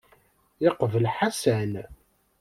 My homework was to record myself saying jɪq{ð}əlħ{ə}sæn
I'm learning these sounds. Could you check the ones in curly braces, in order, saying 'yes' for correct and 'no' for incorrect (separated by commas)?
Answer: no, no